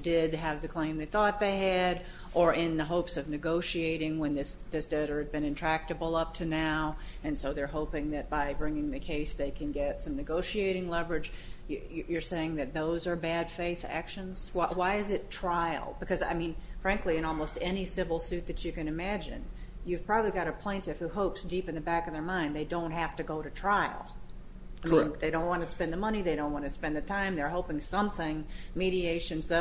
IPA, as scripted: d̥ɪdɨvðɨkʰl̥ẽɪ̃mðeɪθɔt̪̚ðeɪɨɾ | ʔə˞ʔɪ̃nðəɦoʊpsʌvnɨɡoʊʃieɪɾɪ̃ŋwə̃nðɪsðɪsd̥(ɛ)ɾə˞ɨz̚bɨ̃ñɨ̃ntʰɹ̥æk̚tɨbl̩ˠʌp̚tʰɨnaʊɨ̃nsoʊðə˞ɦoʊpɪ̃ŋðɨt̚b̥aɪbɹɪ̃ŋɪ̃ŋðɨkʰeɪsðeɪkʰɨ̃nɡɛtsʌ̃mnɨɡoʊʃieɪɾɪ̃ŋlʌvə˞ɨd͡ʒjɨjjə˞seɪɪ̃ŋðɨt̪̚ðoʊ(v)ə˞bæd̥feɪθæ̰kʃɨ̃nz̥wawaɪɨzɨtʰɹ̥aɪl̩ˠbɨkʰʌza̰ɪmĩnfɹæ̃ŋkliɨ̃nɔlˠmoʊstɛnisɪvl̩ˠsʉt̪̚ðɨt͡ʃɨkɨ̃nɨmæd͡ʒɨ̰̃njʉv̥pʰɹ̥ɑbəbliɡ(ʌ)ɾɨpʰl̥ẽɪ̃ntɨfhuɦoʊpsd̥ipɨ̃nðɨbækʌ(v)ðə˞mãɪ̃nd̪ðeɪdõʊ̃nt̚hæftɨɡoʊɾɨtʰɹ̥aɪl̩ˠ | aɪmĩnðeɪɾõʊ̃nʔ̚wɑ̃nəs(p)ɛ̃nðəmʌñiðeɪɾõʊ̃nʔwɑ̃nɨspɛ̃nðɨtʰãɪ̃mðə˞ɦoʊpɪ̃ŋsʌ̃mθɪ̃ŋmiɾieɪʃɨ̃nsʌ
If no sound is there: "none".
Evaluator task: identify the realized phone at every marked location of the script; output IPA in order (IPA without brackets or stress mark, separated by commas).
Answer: ɛ, z, ɑ, v, p